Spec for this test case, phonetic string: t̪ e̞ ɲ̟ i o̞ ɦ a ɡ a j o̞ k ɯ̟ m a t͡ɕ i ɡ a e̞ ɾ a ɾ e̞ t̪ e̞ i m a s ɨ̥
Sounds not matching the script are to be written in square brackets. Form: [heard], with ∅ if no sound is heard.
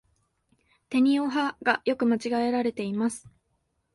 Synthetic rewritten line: t̪ e̞ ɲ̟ i o̞ ɦ a ɡ a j o̞ k ɯ̟ m a t͡ɕ i ɡ a e̞ ɾ a ɾ e̞ t̪ e̞ i m a s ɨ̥